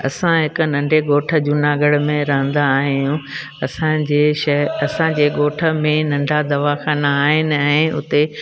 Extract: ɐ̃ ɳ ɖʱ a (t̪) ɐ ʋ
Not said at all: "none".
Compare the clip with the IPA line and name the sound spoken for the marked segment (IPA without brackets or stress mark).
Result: d̪